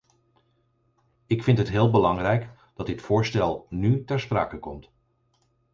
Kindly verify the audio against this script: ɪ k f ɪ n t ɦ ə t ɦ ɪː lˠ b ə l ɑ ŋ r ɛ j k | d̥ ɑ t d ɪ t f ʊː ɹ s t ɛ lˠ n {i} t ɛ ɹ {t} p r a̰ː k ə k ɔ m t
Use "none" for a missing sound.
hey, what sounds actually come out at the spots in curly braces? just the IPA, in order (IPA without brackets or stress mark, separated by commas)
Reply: y, s